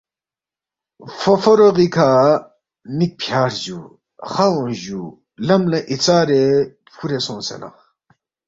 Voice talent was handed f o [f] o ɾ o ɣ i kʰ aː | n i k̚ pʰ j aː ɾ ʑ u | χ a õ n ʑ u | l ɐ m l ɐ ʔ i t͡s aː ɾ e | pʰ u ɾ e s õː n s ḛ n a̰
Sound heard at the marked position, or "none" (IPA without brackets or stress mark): f